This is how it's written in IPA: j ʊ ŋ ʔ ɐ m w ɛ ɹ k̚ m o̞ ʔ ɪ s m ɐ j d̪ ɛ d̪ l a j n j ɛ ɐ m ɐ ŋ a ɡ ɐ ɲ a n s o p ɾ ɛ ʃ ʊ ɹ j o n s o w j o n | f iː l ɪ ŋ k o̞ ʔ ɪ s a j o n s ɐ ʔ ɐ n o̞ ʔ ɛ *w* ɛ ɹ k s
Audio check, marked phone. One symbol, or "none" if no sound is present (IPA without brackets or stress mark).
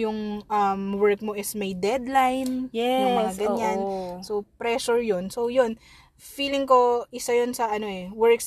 w